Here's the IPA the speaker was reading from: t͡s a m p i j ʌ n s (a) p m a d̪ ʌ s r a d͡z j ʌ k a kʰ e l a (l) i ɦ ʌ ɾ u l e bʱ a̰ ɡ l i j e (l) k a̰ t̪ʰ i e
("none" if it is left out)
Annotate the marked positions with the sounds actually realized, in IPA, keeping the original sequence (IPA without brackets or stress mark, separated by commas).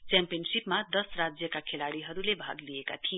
i, ɽ, none